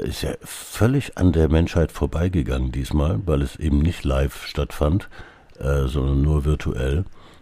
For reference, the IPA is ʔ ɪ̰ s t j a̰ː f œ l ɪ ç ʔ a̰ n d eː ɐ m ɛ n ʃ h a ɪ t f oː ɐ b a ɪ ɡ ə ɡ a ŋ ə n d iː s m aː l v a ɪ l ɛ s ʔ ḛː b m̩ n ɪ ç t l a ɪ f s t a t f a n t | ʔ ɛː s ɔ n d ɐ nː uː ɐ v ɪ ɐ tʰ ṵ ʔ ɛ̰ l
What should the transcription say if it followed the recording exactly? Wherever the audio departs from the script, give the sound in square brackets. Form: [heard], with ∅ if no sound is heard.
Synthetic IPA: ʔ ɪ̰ s t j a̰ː f œ l ɪ ç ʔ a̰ n d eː ɐ m ɛ n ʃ h a ɪ t f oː ɐ b a ɪ ɡ ə ɡ a ŋ ə n d iː s m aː l v a ɪ l ɛ s ʔ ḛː b m̩ n ɪ ç t l a ɪ f [ʃ] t a t f a n t | ʔ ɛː [z] ɔ n d ɐ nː uː ɐ v ɪ ɐ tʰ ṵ ʔ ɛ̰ l